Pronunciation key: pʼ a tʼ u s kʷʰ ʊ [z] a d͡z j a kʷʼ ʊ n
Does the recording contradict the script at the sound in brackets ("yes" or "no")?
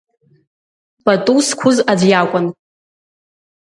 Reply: no